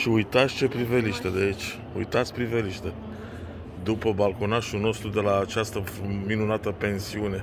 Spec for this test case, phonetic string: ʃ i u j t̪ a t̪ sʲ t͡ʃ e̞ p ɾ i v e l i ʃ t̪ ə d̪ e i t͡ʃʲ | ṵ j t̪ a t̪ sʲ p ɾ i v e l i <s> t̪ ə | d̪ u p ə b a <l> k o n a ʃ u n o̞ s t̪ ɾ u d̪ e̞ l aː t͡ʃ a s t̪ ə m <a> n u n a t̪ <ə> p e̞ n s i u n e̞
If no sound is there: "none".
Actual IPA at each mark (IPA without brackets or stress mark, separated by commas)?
ʃ, l, i, ə